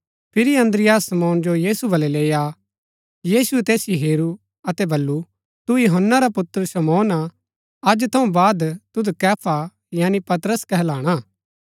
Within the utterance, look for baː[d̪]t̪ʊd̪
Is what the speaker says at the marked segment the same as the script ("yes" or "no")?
yes